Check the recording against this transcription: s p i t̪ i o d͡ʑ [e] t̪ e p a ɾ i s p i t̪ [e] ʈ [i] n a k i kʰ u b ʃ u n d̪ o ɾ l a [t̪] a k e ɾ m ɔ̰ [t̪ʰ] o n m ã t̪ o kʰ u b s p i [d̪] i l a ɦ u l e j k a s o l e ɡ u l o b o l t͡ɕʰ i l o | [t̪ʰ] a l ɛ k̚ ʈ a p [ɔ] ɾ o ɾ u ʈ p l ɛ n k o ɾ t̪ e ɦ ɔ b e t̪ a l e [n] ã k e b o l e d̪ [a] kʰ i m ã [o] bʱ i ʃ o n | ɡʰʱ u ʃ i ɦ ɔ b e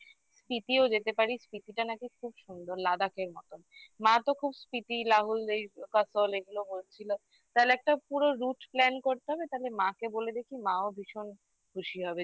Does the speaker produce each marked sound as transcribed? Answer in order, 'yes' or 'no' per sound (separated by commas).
yes, no, no, no, no, no, no, no, no, no, yes